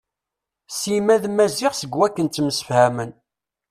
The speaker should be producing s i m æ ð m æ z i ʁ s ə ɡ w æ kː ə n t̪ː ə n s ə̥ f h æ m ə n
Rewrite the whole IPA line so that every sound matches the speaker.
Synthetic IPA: s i m æ ð m æ z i ʁ s ə ɡ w æ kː ə n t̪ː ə m s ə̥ f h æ m ə n